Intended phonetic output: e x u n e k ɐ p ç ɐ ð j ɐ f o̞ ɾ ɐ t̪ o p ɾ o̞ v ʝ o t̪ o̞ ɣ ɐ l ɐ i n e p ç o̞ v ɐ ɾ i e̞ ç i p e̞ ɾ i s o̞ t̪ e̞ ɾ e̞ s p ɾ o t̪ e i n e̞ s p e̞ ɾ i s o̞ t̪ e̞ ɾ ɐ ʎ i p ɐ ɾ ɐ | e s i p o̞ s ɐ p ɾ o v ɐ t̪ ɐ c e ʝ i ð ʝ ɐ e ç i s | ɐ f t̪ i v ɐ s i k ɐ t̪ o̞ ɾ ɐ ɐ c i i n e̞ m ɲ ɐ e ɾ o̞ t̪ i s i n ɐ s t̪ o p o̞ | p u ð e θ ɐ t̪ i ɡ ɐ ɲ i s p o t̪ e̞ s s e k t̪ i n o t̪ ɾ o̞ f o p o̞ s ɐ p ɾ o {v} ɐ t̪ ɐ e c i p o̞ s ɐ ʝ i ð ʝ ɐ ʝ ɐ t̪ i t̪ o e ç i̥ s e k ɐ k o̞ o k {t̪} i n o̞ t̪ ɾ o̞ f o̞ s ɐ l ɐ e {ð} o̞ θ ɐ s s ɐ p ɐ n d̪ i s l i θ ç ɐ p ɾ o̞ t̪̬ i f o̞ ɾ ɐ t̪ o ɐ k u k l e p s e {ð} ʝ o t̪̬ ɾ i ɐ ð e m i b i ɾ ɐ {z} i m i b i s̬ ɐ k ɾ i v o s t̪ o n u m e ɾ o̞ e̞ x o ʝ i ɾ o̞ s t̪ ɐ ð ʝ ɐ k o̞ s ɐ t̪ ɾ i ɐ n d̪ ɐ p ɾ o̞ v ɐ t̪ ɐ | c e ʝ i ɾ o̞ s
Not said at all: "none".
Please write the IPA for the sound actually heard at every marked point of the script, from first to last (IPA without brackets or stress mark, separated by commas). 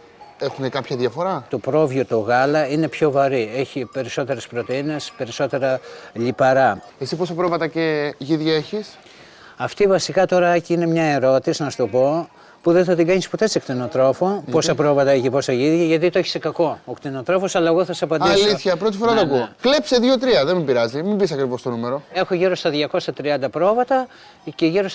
v, t̪, ɣ, ð, z